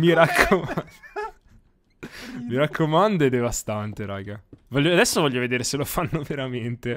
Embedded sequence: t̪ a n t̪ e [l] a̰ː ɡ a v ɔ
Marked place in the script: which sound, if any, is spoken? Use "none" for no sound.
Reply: ɾ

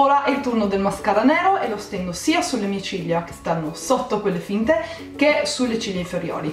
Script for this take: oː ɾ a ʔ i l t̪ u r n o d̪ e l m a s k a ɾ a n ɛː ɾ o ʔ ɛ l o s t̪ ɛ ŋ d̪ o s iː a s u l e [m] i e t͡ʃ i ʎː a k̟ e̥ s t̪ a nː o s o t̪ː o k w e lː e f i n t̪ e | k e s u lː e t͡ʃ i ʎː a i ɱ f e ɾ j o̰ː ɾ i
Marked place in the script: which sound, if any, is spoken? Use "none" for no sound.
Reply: m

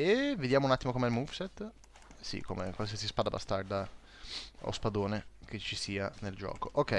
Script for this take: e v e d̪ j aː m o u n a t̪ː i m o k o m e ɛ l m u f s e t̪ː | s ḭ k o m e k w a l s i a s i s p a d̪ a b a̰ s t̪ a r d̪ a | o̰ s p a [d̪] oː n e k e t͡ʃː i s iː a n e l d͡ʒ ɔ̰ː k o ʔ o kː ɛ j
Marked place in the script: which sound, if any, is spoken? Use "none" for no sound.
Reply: d̪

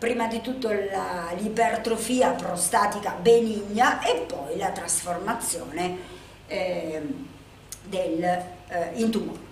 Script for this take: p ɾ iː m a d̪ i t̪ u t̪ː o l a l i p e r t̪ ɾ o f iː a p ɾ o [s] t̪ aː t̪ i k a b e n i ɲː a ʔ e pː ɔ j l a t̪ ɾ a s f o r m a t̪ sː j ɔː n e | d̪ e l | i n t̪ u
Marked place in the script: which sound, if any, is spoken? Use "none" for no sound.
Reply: s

